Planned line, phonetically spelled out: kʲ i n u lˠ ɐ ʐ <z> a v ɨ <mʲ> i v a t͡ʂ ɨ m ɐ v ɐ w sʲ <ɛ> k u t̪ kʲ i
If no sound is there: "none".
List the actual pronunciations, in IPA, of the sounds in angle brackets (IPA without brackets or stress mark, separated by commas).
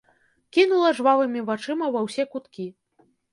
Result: v, mʲ, ɛ